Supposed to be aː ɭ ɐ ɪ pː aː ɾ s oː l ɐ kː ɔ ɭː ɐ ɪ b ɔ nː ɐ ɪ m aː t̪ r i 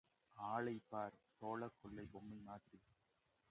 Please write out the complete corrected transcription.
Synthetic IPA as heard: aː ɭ ɐ ɪ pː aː ɾ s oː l ɐ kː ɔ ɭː ɐ ɪ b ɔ mː ɐ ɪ m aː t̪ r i